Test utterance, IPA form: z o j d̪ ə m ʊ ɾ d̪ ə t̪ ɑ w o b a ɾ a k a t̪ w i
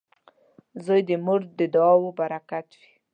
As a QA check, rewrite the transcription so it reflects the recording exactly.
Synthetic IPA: z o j d̪ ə m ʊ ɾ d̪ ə d̪ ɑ w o b a ɾ a k a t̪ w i